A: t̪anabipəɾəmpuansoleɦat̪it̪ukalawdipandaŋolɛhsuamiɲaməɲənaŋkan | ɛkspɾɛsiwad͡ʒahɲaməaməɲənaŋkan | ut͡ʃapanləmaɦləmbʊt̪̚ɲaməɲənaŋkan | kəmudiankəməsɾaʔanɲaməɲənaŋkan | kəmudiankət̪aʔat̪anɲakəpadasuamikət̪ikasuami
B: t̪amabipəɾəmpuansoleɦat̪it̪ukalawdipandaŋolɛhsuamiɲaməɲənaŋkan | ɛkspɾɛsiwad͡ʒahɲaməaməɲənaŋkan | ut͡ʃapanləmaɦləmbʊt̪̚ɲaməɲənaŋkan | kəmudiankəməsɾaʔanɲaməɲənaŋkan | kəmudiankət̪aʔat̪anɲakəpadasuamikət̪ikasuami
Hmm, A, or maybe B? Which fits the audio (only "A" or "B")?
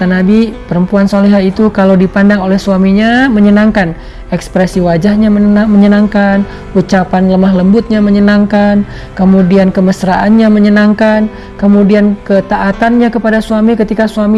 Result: A